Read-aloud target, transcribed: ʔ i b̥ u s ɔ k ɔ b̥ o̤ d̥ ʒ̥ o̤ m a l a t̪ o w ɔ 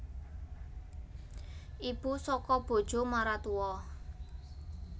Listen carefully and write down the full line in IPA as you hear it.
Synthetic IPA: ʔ i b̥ u s ɔ k ɔ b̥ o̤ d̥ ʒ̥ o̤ m a ɾ a t̪ u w ɔ